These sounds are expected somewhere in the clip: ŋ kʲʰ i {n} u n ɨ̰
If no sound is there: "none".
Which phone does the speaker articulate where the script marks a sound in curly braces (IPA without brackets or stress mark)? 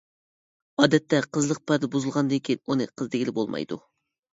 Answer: n